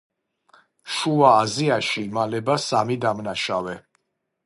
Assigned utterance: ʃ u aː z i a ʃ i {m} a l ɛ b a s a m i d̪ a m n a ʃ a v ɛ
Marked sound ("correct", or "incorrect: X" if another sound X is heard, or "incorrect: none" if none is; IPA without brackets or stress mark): correct